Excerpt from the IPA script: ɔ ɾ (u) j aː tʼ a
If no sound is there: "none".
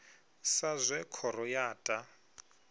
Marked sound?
ɔ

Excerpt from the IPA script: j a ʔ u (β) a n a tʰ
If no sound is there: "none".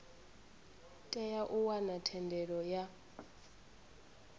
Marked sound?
w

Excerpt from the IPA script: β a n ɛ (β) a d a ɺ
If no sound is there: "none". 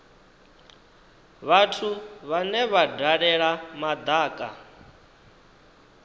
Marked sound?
β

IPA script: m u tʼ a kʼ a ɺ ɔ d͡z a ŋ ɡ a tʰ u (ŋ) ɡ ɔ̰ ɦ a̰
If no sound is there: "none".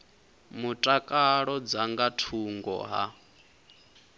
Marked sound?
ŋ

